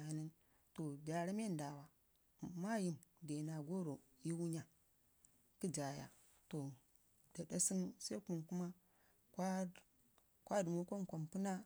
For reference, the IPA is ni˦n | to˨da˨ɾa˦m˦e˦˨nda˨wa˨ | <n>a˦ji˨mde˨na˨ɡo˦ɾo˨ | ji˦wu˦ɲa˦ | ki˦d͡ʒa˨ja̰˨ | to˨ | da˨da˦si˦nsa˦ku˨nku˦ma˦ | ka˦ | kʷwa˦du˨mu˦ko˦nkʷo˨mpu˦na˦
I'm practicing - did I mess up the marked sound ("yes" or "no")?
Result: yes